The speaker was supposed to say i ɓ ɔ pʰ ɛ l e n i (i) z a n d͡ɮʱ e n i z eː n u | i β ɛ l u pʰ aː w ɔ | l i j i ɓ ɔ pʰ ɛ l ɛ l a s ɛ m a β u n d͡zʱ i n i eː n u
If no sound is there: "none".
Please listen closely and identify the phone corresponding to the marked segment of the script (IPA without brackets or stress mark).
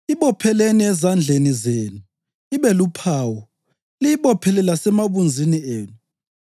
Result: ɛ